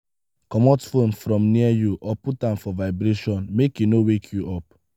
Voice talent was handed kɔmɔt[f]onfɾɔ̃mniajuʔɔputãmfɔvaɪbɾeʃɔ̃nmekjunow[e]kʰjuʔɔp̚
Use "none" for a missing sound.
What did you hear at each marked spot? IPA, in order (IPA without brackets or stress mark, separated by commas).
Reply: f, e